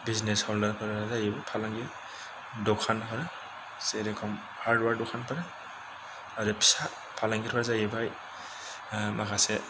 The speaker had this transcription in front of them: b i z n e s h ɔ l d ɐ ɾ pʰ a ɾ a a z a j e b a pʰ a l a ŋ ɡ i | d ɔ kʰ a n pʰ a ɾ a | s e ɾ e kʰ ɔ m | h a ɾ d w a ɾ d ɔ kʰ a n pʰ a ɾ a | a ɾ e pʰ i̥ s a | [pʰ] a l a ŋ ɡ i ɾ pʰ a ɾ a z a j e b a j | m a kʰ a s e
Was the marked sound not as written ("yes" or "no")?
no